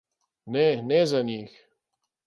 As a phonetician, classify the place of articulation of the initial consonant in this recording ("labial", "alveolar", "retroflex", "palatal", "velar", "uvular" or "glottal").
alveolar